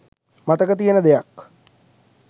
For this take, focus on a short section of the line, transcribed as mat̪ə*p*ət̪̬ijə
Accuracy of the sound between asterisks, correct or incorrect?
incorrect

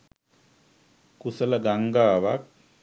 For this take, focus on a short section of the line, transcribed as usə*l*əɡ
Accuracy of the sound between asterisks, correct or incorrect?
correct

